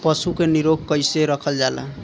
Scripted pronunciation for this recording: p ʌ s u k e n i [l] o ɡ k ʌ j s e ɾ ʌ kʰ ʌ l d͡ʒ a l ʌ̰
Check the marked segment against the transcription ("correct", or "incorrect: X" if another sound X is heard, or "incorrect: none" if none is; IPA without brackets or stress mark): incorrect: ɾ